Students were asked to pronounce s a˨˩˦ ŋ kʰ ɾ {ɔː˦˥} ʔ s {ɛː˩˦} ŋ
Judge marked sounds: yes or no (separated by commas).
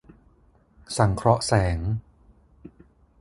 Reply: no, yes